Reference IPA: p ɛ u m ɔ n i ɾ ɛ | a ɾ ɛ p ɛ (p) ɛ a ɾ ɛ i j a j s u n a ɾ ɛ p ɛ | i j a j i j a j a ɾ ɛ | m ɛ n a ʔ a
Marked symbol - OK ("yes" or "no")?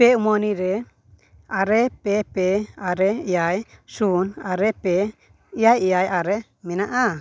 yes